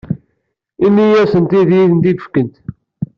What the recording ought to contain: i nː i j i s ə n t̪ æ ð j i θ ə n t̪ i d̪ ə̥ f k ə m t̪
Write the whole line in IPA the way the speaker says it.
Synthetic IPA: i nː i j æ s ə n t̪ i ð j i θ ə n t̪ i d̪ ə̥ f k ə n t̪